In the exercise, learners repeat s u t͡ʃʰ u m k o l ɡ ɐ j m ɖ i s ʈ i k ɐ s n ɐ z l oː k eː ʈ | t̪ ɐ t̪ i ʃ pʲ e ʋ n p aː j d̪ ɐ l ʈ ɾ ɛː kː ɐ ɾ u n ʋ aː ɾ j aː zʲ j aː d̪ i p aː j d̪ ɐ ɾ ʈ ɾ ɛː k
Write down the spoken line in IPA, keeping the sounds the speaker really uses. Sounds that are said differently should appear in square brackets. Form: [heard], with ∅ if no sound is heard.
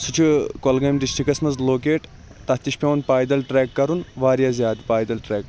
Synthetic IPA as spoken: s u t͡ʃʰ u [∅] k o l ɡ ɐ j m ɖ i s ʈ i k ɐ s [m] ɐ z l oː k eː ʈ | t̪ ɐ t̪ i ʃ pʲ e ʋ n p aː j d̪ ɐ l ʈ ɾ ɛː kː ɐ ɾ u n ʋ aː ɾ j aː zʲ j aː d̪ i p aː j d̪ ɐ [l] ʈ ɾ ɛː k